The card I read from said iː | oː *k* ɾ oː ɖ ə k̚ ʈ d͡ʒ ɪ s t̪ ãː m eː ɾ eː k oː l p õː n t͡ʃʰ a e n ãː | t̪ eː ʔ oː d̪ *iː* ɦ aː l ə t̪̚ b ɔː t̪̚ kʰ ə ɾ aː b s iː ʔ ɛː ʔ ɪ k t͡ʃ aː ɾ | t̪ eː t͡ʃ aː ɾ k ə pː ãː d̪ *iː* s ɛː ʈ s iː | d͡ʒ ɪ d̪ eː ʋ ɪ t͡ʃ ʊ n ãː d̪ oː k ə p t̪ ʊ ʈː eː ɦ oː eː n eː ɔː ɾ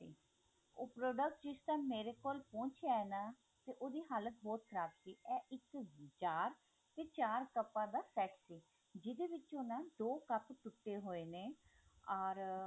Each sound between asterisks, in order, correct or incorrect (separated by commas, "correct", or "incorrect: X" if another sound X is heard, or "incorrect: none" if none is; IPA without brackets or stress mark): incorrect: p, correct, incorrect: aː